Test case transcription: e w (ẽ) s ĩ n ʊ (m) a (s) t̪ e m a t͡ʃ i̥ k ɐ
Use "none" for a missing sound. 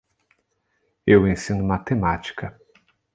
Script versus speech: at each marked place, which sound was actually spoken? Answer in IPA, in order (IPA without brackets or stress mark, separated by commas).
ẽ, m, none